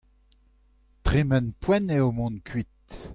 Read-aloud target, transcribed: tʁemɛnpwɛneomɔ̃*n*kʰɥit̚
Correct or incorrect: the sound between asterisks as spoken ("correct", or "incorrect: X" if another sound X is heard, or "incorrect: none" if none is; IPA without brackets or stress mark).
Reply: correct